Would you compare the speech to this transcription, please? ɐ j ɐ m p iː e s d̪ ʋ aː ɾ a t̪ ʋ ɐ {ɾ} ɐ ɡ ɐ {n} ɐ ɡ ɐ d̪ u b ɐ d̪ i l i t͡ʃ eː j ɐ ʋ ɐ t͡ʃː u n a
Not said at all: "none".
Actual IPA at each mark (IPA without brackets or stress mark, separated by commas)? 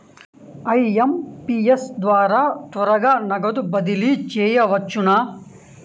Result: ɾ, n